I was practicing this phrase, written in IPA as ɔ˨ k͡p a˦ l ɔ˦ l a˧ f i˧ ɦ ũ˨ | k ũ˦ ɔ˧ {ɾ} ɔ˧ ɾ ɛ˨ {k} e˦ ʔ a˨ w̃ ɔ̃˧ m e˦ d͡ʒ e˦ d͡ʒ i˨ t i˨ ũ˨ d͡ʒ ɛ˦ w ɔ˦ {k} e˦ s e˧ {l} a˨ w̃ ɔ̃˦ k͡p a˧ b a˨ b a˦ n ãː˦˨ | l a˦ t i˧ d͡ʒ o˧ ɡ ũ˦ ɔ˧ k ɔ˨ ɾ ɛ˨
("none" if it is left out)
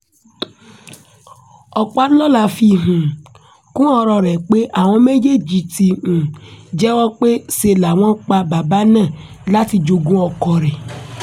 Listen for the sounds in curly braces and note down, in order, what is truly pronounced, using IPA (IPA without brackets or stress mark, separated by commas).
ɾ, k͡p, k͡p, l